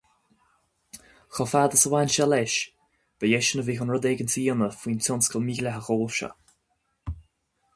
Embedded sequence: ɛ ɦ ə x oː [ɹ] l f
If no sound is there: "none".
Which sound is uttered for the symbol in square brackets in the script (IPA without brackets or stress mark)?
none